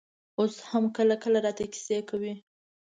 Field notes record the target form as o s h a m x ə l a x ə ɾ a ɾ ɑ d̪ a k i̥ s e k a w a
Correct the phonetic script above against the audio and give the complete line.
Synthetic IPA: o s h a m k ə l a k ə l a ɾ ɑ t̪ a k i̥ s e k a w i